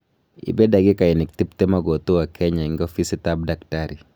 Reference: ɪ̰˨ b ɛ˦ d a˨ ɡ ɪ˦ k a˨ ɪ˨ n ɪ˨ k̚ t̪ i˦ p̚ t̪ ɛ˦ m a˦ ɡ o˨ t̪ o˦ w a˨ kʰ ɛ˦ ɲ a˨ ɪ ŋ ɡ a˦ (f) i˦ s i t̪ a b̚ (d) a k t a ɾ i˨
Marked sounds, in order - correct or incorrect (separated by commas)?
correct, correct